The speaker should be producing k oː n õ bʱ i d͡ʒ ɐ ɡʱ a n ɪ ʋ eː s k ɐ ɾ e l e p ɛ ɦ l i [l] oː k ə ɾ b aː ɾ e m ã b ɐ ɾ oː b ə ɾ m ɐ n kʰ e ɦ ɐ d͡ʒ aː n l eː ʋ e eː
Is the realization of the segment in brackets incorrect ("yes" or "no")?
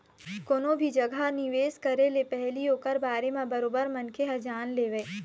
yes